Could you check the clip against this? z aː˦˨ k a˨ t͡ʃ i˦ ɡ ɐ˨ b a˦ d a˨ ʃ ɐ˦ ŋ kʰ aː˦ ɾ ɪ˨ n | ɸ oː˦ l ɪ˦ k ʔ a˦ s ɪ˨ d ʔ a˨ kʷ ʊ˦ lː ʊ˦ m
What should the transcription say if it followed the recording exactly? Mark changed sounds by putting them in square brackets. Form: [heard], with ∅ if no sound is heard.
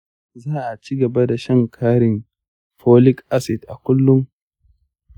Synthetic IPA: z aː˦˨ [ʔ] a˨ t͡ʃ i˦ ɡ ɐ˨ b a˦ d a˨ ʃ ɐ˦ ŋ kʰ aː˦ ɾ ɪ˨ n | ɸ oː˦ l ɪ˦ k ʔ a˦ s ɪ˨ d ʔ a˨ kʷ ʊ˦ lː ʊ˦ [ŋ]